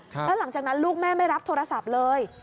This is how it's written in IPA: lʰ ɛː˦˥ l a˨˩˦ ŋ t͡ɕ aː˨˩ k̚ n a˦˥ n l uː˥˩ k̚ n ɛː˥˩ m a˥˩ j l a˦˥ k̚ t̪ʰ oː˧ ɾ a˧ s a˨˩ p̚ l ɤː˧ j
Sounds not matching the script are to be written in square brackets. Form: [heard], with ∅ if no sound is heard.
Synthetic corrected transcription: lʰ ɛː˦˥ l a˨˩˦ ŋ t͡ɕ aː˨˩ k̚ n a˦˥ n l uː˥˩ k̚ [m] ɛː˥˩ m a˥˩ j [ɾ] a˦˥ [p̚] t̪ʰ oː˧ ɾ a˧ s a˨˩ p̚ l ɤː˧ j